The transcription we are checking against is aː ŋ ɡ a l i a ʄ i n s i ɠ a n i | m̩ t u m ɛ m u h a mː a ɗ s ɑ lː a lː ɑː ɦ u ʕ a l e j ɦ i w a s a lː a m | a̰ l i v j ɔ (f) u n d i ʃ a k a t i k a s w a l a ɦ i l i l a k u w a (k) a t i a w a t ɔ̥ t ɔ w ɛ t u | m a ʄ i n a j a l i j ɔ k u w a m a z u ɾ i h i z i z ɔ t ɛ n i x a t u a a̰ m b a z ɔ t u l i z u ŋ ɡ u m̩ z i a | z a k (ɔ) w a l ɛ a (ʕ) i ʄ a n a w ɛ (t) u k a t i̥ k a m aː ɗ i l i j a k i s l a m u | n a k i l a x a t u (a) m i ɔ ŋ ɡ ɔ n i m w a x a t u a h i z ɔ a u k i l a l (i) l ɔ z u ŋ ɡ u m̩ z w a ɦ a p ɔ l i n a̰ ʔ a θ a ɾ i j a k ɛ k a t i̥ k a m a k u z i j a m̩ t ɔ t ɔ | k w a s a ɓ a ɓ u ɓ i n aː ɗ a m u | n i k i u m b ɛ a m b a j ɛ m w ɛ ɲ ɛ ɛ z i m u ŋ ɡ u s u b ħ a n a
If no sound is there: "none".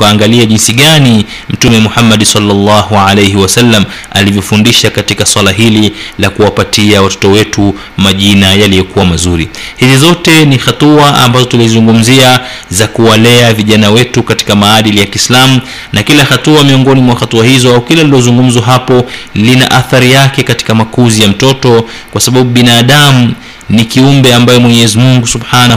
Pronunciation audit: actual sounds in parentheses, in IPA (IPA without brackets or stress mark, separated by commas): f, p, u, v, t, a, i